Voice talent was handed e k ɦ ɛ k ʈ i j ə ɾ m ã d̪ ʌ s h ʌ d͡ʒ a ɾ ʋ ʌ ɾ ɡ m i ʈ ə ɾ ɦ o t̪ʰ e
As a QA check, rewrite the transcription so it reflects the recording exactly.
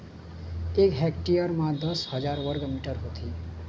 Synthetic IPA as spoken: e k ɦ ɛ k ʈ i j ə ɾ m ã d̪ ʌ s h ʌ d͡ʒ a ɾ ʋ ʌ ɾ ɡ m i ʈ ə ɾ ɦ o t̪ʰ i